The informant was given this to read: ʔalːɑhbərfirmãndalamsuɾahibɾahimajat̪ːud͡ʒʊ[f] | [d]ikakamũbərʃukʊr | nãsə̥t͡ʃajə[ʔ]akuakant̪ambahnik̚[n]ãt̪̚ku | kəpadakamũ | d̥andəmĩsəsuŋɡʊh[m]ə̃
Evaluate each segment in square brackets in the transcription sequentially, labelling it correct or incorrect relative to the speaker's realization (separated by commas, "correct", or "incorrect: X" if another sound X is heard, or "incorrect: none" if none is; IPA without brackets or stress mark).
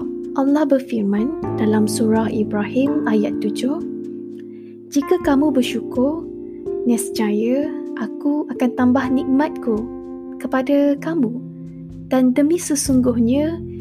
incorrect: h, incorrect: d͡ʒ, correct, incorrect: m, incorrect: ɲ